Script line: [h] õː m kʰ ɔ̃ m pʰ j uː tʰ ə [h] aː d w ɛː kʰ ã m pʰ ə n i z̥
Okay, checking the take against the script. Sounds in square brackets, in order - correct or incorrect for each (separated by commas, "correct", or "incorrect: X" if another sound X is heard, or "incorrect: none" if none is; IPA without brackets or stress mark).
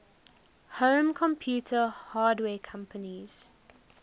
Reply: correct, correct